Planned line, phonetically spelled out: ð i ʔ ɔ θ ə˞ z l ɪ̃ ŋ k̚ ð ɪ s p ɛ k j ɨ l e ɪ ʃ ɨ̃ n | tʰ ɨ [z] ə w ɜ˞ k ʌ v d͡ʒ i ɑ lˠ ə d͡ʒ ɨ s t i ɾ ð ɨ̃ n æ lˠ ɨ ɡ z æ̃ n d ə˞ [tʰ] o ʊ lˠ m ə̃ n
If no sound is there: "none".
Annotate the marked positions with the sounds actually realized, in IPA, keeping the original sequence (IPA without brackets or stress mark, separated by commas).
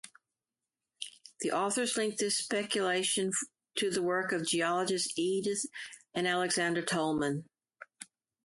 ð, tʰ